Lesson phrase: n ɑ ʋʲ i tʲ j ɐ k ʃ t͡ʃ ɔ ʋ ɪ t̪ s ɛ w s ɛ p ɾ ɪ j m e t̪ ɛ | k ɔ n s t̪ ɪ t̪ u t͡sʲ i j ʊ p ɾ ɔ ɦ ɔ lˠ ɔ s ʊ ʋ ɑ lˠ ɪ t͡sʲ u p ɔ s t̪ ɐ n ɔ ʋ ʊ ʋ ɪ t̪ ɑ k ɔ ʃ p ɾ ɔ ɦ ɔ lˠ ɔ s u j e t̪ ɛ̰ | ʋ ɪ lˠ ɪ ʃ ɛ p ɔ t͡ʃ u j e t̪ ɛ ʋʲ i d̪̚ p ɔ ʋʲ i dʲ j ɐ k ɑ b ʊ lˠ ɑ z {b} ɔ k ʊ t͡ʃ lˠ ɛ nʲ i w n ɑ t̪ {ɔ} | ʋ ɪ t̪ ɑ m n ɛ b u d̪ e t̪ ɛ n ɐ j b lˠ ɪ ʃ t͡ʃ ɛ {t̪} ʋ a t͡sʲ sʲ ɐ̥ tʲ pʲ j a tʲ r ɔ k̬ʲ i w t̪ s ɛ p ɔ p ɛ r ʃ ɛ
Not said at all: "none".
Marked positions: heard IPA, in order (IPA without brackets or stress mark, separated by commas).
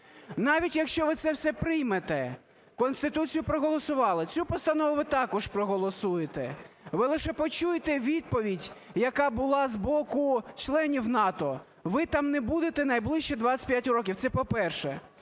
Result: b, ɔ, d̪